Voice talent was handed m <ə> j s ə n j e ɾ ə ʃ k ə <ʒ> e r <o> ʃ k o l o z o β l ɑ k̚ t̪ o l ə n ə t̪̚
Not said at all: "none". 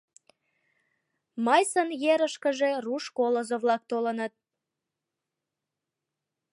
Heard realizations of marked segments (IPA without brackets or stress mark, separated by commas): ɑ, ʒ, u